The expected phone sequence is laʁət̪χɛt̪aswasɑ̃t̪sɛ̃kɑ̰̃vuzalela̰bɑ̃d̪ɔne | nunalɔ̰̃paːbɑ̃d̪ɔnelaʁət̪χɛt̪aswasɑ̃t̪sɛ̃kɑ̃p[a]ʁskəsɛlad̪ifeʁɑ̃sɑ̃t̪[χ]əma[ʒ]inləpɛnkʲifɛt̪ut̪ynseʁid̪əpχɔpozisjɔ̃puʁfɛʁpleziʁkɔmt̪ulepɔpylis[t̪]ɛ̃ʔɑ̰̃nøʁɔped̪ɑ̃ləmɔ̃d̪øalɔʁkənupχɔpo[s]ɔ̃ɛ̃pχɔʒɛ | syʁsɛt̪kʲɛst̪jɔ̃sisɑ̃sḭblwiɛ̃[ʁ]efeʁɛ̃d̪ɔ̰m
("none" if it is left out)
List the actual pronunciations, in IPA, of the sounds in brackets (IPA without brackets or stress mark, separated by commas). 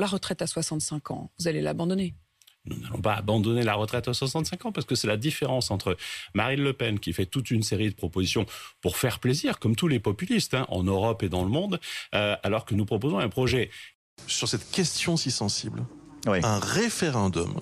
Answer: a, χ, ʁ, t̪, z, ʁ